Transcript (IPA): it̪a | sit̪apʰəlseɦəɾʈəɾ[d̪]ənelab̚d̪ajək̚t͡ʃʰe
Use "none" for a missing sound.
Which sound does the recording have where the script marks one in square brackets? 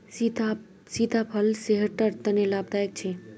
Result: t̪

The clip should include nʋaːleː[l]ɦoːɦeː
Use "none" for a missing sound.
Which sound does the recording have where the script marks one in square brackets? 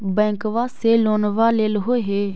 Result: l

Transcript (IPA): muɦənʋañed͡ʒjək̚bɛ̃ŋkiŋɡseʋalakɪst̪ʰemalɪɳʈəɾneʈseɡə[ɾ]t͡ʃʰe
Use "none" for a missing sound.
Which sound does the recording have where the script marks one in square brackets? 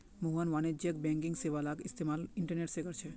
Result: ɾ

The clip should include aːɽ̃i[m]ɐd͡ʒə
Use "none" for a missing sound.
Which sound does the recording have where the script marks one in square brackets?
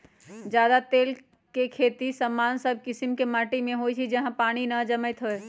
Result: n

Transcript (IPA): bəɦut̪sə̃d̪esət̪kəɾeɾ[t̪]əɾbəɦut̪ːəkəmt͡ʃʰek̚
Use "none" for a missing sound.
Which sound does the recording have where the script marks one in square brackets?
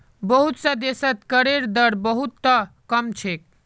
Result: d̪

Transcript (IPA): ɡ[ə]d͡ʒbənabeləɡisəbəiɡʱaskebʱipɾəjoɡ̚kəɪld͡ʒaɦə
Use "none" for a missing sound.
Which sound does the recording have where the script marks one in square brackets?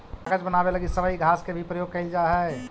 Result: ə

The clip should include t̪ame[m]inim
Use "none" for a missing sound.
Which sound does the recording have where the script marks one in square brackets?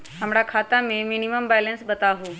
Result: m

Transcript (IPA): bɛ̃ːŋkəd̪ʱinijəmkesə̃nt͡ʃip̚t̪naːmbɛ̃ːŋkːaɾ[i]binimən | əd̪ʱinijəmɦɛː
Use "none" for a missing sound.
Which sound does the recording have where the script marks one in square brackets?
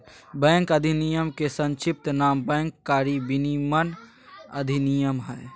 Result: i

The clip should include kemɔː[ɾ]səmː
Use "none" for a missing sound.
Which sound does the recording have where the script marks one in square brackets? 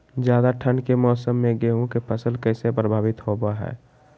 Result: none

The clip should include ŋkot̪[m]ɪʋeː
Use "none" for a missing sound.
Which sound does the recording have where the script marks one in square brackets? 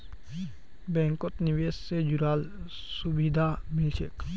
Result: n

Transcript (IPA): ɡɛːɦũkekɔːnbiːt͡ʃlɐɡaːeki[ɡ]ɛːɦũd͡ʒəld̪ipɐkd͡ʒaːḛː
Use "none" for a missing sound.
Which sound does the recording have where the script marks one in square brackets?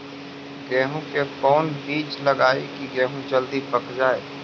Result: ɡ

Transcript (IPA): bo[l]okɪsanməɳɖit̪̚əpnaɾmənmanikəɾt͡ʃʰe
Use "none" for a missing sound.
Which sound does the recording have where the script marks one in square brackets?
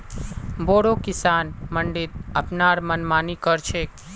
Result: ɽ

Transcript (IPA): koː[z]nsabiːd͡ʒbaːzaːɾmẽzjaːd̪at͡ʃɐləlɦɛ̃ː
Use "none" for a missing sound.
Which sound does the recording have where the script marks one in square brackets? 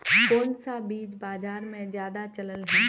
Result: none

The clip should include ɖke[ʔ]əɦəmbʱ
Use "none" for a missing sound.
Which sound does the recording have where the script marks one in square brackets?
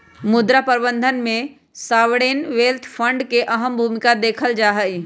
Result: ʔ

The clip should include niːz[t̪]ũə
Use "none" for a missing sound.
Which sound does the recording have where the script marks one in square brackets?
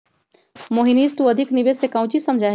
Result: t̪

